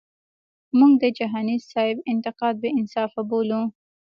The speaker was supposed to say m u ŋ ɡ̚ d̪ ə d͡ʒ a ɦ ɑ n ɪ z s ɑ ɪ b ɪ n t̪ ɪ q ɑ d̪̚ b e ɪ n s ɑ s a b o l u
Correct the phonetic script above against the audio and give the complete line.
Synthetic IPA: m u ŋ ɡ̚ d̪ ə d͡ʒ a ɦ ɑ n i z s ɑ ɪ b ɪ n t̪ ɪ q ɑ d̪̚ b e ɪ n s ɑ f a b o l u